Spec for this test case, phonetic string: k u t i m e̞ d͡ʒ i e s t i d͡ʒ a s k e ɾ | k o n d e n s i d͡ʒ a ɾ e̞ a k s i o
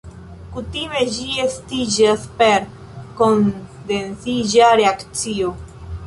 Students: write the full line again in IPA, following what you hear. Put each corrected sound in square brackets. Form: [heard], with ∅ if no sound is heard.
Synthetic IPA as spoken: k u t i m e̞ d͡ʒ i e s t i d͡ʒ a s [p] e ɾ | k o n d e n s i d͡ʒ a ɾ e̞ a k [t͡s] i o